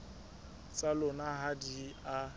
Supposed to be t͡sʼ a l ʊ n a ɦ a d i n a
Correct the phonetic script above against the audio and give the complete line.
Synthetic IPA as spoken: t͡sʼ a l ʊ n a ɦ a d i a